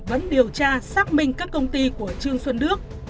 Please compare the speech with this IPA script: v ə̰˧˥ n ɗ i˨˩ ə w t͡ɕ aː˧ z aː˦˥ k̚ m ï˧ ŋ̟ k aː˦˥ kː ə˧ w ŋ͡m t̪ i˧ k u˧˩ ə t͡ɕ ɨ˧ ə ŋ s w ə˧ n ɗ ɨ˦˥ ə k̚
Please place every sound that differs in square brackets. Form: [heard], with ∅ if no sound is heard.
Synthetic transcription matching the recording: v ə̰˧˥ n ɗ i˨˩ ə w t͡ɕ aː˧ [s] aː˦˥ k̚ m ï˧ ŋ̟ k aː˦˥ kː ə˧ w ŋ͡m t̪ i˧ k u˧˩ ə t͡ɕ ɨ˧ ə ŋ s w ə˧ n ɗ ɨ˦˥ ə k̚